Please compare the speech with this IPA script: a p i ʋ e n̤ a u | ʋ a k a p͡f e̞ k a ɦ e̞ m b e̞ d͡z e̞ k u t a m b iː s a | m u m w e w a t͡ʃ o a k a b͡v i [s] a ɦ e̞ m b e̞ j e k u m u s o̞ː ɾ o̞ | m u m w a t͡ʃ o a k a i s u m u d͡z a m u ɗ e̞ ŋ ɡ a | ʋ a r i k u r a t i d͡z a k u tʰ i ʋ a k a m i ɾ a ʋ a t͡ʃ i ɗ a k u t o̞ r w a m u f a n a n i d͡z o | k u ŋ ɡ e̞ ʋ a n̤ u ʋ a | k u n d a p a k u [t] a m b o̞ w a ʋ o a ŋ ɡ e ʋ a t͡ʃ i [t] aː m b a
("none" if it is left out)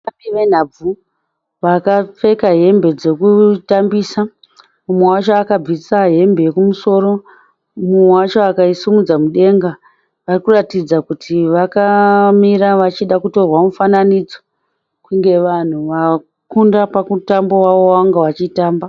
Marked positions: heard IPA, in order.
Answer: s, t, t

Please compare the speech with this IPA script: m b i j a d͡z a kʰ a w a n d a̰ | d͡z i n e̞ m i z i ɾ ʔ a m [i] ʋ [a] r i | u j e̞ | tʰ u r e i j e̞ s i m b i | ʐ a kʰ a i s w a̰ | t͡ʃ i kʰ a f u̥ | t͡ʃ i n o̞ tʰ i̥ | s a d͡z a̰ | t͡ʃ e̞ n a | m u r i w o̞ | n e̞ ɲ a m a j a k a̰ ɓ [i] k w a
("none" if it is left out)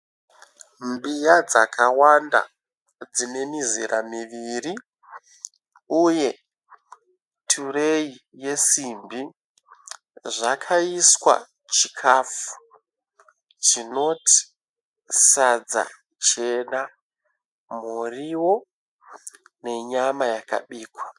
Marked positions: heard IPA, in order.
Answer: i, i, iː

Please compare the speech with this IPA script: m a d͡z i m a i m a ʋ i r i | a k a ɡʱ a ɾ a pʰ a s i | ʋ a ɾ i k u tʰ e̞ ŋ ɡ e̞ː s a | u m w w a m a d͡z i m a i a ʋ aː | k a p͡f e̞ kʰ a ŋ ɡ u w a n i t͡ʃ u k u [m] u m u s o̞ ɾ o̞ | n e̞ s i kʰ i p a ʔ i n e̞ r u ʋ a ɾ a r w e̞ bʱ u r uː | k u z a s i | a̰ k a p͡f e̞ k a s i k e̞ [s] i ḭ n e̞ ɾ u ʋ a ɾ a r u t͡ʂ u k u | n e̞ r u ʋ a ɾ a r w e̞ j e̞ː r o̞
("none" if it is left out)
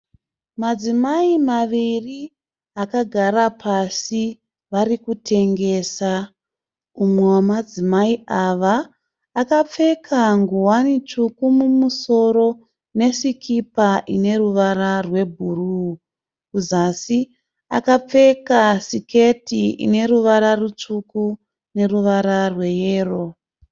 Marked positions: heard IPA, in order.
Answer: m, t

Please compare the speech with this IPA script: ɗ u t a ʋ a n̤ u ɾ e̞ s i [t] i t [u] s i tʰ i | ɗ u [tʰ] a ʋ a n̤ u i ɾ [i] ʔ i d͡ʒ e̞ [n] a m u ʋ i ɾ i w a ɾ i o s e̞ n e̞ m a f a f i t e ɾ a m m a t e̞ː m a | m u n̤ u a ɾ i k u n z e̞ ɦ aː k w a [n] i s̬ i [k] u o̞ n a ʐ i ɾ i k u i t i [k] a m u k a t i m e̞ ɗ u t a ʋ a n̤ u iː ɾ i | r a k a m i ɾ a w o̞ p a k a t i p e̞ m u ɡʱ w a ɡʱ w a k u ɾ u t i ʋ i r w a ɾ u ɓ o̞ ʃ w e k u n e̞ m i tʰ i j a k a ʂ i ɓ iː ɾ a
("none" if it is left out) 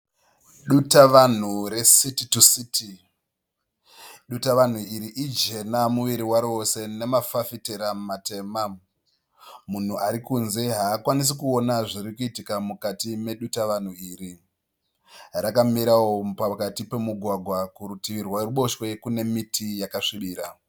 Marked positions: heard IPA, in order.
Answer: t, u, t, i, n, n, k, k

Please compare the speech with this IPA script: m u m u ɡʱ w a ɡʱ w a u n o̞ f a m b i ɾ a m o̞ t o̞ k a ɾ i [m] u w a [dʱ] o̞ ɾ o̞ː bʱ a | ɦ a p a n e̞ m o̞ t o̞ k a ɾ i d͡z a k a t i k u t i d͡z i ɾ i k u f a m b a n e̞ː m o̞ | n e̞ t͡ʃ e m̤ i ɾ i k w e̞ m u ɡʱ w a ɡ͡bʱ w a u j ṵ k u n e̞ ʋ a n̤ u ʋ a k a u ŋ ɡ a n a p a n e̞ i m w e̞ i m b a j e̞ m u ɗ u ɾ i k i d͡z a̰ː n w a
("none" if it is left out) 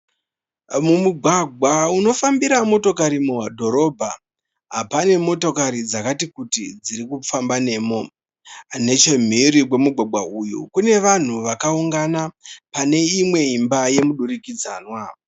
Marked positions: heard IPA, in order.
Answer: m, dʱ

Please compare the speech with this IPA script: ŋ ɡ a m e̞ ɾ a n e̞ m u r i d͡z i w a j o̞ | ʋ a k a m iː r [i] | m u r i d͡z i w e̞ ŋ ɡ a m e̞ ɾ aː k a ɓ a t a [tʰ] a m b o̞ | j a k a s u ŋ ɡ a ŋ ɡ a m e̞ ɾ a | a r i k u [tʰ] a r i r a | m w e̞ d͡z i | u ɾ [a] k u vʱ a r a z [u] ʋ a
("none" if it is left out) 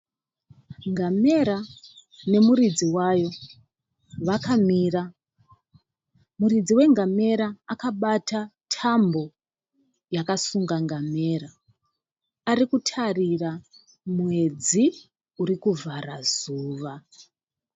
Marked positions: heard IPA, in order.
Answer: a, tʰ, tʰ, i, uː

